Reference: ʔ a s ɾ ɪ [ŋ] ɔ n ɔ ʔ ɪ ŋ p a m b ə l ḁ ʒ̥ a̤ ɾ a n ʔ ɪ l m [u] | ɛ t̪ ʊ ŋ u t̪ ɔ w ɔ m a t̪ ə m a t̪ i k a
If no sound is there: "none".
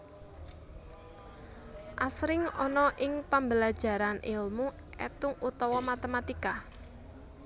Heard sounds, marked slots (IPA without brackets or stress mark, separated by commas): ŋ, u